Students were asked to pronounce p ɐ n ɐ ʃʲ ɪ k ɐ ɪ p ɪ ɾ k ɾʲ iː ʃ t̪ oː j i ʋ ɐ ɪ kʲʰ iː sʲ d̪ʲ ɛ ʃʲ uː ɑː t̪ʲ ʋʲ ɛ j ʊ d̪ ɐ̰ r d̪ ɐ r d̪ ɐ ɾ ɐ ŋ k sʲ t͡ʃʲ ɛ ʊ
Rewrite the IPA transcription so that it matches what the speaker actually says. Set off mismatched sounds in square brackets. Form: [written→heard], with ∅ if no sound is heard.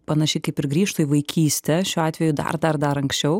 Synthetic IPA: p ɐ n ɐ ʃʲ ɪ k ɐ ɪ p ɪ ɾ [k→ɡ] ɾʲ iː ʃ t̪ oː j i ʋ ɐ ɪ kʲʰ iː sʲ [d̪ʲ→t̪ʲ] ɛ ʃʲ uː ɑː t̪ʲ ʋʲ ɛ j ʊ d̪ ɐ̰ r d̪ ɐ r d̪ ɐ ɾ ɐ ŋ k sʲ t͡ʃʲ ɛ ʊ